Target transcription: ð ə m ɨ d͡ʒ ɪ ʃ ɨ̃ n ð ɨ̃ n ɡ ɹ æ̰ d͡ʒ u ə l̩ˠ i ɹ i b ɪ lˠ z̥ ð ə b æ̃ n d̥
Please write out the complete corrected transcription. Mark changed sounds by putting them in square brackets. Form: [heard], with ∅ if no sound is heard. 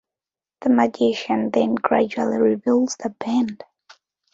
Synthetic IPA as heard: ð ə m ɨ d͡ʒ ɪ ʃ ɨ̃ n ð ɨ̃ n ɡ ɹ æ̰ d͡ʒ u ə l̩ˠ i ɹ i b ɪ lˠ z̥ ð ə b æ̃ n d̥